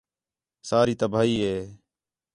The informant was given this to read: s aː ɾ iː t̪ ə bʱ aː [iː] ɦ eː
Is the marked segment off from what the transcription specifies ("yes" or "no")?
no